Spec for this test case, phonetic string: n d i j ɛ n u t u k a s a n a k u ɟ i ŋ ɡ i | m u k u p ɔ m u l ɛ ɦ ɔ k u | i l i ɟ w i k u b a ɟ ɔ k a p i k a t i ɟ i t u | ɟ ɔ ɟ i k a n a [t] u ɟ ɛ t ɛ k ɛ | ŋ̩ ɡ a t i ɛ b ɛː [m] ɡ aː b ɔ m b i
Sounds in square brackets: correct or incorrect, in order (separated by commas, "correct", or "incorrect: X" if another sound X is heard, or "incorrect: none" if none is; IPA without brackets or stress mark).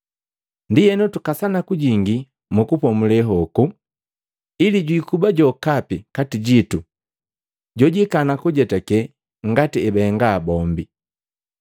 incorrect: k, incorrect: ŋ